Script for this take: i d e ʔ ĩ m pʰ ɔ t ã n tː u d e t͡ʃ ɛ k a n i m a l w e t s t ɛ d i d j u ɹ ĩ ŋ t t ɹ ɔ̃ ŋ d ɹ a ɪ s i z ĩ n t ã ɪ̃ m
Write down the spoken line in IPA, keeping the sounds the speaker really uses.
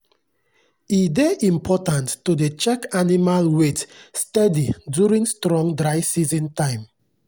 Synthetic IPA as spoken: i d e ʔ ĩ m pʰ ɔ t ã n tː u d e t͡ʃ ɛ k a n i m a l w e t s t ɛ d i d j u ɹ ĩ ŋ s t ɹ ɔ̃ ŋ d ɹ a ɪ s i z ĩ n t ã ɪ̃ m